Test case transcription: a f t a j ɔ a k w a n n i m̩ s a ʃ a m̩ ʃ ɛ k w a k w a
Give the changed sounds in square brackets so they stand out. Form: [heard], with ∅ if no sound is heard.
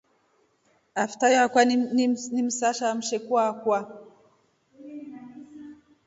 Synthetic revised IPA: a f t a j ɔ a k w a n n i m̩ s a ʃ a m̩ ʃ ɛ k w a k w a